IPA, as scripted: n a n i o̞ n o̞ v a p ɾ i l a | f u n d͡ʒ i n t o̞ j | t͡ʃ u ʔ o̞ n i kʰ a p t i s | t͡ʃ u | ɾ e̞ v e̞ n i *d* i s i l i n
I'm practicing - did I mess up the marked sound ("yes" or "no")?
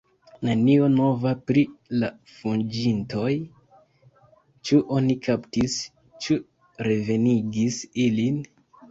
yes